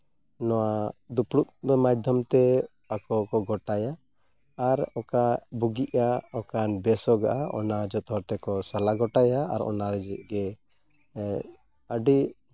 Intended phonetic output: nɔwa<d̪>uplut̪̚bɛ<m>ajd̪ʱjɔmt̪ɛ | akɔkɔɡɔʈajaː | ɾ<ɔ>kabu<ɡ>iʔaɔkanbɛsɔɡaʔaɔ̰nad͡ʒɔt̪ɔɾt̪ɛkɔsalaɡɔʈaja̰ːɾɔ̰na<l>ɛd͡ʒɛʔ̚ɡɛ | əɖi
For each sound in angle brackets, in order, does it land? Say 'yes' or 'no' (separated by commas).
yes, yes, yes, yes, no